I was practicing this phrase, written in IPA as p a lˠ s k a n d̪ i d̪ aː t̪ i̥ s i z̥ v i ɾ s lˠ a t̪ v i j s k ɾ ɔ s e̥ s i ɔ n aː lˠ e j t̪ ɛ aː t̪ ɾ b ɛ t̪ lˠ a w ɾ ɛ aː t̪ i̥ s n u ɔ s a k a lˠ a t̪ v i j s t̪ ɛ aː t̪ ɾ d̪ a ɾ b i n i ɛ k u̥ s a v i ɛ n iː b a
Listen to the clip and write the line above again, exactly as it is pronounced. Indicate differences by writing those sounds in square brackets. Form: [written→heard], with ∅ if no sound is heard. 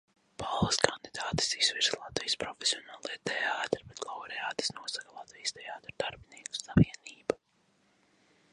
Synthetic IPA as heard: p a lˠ s k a n d̪ i d̪ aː t̪ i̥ s i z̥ v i ɾ s lˠ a t̪ v i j s [k→p] ɾ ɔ [s→f] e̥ s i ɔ n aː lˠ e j t̪ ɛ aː t̪ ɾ b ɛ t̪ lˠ a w ɾ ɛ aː t̪ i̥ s n u ɔ s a k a lˠ a t̪ v i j s t̪ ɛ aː t̪ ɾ d̪ a ɾ b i n i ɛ k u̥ s a v i ɛ n iː b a